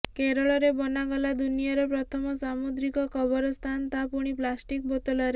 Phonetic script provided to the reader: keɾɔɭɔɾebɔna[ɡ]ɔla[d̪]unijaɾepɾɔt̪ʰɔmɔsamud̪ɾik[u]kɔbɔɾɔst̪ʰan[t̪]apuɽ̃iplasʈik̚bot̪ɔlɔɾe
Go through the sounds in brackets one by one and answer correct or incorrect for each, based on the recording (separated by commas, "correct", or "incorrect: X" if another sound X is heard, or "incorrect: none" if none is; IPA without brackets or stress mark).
correct, correct, incorrect: ɔ, correct